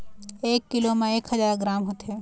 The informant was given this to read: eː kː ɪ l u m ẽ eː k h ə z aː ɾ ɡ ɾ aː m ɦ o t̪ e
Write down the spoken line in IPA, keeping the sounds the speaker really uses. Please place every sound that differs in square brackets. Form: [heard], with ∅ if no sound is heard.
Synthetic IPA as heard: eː kː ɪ l [o] m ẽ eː k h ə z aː ɾ ɡ ɾ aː m ɦ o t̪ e